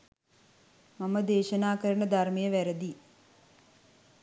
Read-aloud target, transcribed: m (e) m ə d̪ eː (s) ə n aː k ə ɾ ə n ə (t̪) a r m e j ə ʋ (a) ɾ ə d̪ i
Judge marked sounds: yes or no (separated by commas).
no, no, no, no